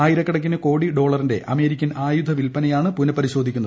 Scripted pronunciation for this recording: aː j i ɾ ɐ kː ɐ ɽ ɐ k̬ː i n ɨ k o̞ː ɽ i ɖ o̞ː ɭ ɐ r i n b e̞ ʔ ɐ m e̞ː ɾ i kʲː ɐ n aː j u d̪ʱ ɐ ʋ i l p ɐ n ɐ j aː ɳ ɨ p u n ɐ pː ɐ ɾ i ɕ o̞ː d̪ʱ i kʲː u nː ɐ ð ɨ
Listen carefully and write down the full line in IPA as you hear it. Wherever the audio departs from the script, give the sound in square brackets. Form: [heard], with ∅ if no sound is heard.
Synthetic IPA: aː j i ɾ ɐ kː ɐ ɽ ɐ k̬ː i n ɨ k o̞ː ɽ i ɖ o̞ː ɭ ɐ r i n [d] e̞ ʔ ɐ m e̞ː ɾ i kʲː ɐ n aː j u d̪ʱ ɐ ʋ i l p ɐ n ɐ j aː ɳ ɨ p u n ɐ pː ɐ ɾ i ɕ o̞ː d̪ʱ i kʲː u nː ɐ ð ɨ